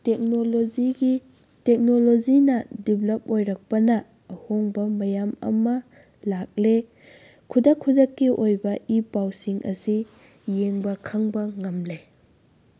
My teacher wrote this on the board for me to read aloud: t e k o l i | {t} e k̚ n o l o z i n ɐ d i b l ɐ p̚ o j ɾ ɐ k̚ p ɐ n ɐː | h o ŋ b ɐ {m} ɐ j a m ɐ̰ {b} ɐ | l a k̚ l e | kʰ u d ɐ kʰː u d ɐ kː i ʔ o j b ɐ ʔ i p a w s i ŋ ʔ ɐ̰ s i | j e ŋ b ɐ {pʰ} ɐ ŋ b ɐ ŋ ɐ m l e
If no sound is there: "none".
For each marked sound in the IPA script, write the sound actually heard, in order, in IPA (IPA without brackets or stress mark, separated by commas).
t, m, m, kʰ